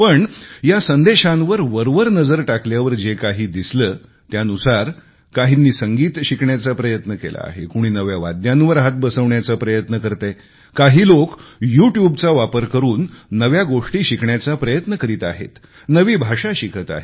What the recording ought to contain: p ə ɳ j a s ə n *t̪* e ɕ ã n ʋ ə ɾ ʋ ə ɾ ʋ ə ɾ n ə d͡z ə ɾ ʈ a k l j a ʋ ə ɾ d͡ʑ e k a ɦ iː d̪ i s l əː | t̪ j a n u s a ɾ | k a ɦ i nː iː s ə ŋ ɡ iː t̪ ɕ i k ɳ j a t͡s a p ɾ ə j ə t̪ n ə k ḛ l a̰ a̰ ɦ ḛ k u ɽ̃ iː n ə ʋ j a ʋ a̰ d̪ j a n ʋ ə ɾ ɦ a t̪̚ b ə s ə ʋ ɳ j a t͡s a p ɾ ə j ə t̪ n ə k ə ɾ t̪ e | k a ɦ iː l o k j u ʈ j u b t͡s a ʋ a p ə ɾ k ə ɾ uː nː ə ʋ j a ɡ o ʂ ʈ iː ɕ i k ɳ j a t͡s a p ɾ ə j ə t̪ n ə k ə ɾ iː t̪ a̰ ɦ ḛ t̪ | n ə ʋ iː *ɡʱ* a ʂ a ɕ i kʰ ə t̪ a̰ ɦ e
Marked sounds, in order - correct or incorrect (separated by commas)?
incorrect, incorrect